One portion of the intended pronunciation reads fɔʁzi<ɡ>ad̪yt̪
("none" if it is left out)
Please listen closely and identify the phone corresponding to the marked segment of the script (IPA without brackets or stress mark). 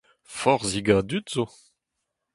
ɡ